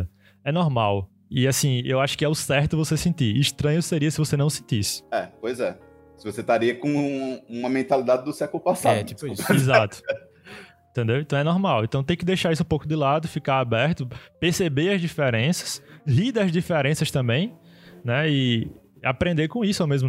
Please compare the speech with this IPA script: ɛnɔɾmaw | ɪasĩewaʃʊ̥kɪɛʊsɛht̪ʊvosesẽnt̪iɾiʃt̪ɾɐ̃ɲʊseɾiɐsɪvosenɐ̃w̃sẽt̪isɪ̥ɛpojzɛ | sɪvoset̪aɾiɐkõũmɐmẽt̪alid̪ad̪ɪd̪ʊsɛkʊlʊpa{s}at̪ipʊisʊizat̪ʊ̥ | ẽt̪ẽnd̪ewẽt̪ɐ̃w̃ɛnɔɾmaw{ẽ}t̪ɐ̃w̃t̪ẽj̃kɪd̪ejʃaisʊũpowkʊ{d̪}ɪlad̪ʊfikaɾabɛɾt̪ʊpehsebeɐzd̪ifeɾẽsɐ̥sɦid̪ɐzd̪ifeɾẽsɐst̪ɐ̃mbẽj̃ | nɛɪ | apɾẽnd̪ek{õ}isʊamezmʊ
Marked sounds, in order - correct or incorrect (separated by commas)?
correct, correct, correct, correct